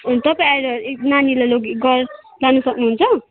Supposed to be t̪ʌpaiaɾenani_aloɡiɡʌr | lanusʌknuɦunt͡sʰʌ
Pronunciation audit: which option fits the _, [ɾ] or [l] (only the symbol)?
l